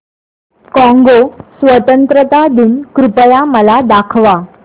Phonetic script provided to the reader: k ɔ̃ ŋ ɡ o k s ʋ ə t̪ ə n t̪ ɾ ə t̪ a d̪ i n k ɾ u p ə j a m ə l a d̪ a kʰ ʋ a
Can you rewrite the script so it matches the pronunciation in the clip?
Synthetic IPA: k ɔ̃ ŋ ɡ o s ʋ ə t̪ ə n t̪ ɾ ə t̪ a d̪ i n k ɾ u p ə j a m ə l a d̪ a kʰ ʋ a